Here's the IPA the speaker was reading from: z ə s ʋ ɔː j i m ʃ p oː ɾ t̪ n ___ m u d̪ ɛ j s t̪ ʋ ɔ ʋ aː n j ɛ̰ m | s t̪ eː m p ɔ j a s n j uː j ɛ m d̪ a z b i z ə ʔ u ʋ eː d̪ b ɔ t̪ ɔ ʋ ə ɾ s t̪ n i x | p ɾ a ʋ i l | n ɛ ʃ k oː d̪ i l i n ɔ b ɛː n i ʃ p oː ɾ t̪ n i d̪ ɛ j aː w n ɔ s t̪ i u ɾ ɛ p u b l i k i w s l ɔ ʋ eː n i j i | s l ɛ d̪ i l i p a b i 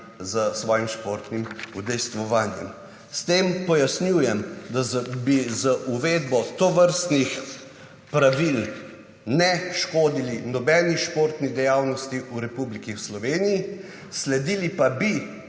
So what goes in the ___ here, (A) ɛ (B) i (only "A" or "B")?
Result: B